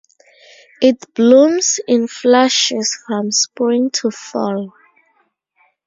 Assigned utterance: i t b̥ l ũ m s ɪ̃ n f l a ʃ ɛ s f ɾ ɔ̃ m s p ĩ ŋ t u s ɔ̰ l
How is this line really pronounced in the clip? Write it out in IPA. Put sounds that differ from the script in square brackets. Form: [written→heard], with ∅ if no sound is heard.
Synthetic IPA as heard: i t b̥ l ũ m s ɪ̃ n f l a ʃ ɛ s f [ɾ→ɹ] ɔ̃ m s p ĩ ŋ [t→tʰ] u [s→f] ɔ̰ l